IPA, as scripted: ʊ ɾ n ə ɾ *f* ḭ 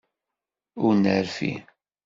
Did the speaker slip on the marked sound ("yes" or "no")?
no